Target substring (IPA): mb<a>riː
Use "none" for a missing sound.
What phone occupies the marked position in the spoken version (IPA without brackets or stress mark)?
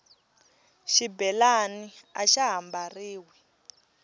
a